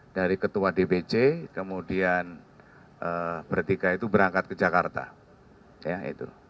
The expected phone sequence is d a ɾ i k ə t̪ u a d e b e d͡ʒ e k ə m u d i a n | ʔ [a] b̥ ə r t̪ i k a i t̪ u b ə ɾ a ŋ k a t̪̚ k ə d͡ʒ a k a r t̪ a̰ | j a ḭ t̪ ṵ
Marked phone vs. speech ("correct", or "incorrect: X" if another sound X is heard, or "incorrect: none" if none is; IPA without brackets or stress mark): incorrect: ə